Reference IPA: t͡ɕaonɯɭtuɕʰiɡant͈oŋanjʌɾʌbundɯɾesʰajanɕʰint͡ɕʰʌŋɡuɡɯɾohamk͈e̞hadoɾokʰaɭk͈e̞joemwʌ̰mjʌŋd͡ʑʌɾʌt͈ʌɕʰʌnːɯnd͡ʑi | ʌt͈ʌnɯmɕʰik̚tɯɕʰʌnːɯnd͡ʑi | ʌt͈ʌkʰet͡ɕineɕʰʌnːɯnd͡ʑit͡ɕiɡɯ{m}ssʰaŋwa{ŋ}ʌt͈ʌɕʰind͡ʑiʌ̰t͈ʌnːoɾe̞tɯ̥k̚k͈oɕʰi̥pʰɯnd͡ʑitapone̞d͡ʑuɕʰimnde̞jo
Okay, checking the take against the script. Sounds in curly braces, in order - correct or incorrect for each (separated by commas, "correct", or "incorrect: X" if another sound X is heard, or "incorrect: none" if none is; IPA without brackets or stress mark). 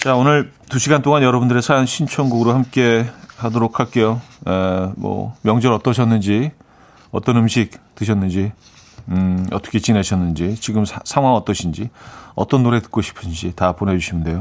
correct, correct